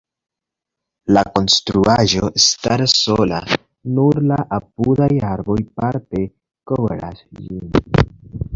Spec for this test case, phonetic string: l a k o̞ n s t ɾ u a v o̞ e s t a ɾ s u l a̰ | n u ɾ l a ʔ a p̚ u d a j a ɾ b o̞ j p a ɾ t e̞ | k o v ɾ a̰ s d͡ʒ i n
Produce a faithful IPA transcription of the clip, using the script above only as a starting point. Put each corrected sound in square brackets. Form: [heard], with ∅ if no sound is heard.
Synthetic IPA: l a k o̞ n s t ɾ u a [ʒ] o̞ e s t a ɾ s [o] l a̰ | n u ɾ l a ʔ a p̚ u d a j a ɾ b o̞ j p a ɾ t e̞ | k o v ɾ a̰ s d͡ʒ i n